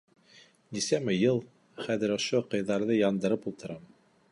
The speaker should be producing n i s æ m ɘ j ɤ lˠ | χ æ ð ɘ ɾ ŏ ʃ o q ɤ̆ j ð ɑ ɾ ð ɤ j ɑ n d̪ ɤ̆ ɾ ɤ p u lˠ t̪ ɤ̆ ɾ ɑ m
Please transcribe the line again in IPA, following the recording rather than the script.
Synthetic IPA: n i s æ m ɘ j ɤ lˠ | χ æ ð ɘ ɾ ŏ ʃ o q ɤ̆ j ð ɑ ɾ ð ɤ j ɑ n d̪ ɤ̆ ɾ ɤ p u lˠ t̪ ɤ̆ ɾ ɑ m